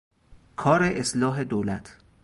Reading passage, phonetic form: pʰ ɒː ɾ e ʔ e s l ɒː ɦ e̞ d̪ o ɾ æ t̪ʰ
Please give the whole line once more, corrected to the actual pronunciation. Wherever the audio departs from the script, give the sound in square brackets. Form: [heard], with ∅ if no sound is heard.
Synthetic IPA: [kʰ] ɒː ɾ e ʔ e s l ɒː ɦ e̞ d̪ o [l] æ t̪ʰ